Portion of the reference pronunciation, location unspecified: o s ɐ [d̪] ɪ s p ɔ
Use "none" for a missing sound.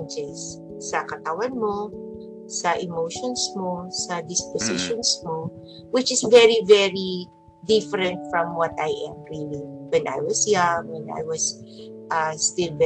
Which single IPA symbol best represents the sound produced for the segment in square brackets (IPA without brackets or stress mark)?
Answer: d̪